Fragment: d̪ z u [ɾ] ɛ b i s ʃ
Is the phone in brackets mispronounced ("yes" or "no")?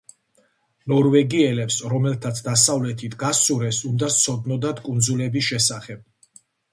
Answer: yes